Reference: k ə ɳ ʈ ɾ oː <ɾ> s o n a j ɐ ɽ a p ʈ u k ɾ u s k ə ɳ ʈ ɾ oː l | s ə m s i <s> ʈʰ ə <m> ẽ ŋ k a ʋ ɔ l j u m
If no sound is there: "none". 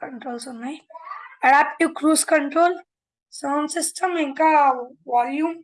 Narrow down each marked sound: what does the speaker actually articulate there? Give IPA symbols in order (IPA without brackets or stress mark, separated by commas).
l, s, m